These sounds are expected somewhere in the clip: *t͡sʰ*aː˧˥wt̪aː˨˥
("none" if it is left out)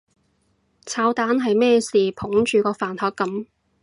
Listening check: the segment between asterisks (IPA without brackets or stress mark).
t͡sʰ